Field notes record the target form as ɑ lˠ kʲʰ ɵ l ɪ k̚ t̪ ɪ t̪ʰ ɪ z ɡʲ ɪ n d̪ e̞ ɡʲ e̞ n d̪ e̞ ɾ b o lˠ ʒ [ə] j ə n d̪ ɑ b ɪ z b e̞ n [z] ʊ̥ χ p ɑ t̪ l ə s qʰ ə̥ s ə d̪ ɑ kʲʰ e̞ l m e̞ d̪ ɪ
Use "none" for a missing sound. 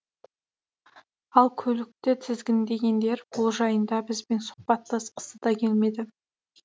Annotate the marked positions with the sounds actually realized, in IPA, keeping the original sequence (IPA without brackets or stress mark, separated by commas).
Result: ɑ, s